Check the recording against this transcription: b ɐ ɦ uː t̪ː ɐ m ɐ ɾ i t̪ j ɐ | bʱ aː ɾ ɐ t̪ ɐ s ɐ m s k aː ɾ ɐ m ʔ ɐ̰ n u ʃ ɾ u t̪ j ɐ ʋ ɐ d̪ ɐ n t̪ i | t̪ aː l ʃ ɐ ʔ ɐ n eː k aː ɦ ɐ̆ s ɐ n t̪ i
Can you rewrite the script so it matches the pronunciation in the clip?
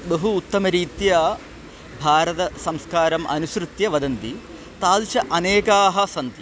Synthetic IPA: b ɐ ɦ uː t̪ː ɐ m ɐ ɾ iː t̪ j ɐ | bʱ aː ɾ ɐ t̪ ɐ s ɐ m s k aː ɾ ɐ m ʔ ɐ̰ n u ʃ ɾ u t̪ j ɐ ʋ ɐ d̪ ɐ n t̪ i | t̪ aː l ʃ ɐ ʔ ɐ n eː k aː ɦ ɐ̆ s ɐ n t̪ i